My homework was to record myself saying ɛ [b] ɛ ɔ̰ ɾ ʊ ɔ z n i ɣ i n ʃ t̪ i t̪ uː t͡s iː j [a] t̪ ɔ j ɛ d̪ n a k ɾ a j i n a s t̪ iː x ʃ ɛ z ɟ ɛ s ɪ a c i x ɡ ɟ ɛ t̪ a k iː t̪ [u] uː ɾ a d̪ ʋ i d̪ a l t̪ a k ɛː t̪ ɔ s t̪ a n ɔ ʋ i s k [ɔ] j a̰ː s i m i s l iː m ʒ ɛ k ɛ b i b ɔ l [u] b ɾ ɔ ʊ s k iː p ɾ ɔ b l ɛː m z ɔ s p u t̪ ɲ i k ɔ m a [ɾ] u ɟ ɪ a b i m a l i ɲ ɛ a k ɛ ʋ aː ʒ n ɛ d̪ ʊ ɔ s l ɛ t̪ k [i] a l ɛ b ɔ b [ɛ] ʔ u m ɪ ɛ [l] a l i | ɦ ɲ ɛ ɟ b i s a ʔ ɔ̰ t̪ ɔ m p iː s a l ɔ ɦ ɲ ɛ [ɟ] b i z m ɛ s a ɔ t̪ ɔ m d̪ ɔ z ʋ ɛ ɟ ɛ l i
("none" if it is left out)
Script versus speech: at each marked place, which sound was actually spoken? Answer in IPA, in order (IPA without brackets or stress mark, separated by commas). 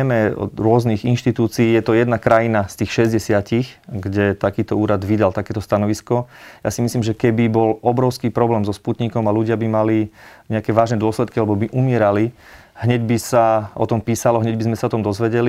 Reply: m, ɛ, ɔ, ɔ, ɔ, l, i, i, ɾ, ɟ